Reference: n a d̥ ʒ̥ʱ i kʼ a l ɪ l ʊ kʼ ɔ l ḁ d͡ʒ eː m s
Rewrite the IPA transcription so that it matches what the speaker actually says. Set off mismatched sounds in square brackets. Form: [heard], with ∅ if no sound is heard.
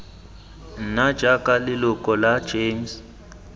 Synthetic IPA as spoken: n a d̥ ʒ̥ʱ [a] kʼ a l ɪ l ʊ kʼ ɔ l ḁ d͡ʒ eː m s